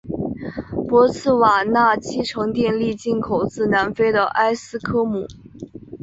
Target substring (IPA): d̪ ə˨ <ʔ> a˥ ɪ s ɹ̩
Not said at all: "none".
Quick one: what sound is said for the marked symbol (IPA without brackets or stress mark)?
ʔ